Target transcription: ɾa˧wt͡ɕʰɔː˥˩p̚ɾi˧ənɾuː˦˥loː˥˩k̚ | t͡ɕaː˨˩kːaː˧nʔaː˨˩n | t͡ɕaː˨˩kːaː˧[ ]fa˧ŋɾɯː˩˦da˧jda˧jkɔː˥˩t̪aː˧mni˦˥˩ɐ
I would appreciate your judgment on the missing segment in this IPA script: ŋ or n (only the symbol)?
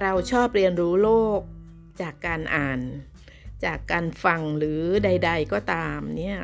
n